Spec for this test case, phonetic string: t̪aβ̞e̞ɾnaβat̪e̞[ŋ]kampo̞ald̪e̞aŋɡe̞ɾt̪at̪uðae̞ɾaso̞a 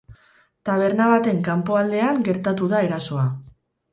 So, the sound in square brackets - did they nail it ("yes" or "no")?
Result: yes